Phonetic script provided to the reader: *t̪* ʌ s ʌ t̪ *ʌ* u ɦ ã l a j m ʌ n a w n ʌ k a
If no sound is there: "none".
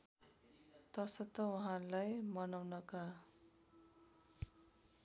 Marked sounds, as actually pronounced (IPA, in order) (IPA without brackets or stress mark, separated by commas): t̪, ʌ